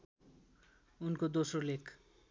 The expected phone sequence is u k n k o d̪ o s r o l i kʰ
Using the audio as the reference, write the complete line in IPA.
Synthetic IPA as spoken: u n k o d̪ o s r o l e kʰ

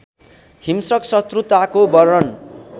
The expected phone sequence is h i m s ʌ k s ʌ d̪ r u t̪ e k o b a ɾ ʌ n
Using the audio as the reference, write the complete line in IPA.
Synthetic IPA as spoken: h i m s ʌ k s ʌ t̪ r u t̪ a k o b ʌ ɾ ʌ n

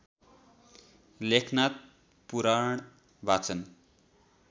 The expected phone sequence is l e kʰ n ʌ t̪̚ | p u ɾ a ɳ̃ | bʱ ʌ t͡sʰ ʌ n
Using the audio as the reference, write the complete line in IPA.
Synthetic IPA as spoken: l e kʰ n a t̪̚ | p u ɾ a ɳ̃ | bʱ a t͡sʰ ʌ n

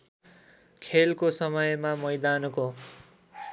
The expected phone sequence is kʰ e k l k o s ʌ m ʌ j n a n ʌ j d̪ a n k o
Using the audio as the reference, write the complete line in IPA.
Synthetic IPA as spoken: kʰ e l k o s ʌ m ʌ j m a m ʌ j d̪ a n k o

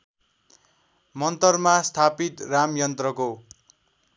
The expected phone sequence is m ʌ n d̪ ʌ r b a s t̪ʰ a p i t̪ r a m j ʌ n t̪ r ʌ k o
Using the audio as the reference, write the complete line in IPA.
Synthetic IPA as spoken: m ʌ n t̪ ʌ r m a s t̪ʰ a p i t̪ r a m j ʌ n t̪ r ʌ k o

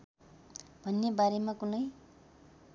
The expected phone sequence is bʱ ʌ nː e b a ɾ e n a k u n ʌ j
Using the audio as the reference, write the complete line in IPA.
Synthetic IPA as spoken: bʱ ʌ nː e b a ɾ e m a k u n ʌ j

